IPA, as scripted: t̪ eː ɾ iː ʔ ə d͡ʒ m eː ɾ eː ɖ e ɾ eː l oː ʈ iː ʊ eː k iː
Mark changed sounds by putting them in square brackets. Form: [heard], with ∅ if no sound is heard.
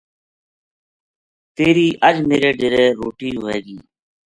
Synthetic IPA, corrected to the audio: t̪ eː ɾ iː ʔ ə d͡ʒ m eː ɾ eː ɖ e ɾ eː [ɾ] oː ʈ iː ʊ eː [ɡ] iː